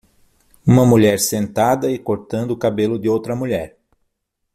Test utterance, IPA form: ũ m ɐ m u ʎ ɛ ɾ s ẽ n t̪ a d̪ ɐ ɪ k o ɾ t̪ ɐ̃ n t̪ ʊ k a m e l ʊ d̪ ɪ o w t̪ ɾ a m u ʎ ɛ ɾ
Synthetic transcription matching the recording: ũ m ɐ m u ʎ ɛ ɾ s ẽ n t̪ a d̪ ɐ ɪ k o ɾ t̪ ɐ̃ n d̪ ʊ k a b e l ʊ d̪ ɪ o w t̪ ɾ ɐ m u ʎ ɛ ɾ